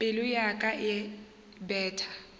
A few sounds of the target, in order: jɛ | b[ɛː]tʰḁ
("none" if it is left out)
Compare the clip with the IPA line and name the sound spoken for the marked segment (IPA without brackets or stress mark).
ɛː